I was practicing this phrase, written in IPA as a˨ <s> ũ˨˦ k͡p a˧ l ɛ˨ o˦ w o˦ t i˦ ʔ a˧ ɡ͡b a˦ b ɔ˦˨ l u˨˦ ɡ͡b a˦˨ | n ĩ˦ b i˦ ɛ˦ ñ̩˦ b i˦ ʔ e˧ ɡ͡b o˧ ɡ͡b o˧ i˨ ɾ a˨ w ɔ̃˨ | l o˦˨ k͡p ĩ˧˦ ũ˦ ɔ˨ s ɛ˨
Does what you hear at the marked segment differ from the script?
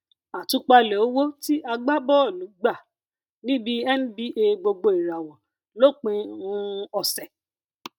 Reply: yes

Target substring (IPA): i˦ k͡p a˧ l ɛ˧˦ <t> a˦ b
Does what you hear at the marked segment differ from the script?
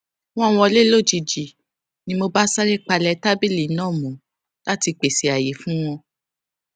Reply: no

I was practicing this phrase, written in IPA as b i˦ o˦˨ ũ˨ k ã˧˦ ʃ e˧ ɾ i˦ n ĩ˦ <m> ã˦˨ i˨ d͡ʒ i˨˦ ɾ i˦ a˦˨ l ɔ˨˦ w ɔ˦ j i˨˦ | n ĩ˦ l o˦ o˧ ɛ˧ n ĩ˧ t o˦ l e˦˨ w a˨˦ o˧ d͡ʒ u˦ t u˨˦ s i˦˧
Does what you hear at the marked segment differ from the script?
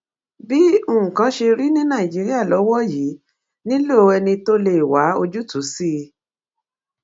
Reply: yes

